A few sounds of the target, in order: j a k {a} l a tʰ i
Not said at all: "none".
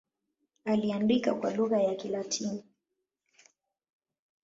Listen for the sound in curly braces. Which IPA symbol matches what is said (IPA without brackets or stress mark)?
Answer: i